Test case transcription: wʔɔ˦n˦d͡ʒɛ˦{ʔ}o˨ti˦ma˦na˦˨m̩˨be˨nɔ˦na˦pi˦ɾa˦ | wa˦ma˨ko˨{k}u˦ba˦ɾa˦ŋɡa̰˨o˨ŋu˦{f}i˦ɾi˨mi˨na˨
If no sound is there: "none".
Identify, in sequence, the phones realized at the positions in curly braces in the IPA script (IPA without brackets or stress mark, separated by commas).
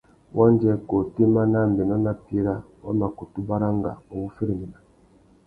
k, t, f